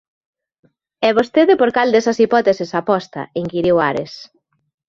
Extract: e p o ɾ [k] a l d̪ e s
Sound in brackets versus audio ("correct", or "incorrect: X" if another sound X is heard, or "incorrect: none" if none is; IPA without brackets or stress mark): correct